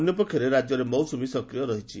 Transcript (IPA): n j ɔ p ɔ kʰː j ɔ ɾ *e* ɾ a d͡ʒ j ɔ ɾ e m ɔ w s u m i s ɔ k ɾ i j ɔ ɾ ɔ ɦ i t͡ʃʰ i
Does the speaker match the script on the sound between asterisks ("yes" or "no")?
yes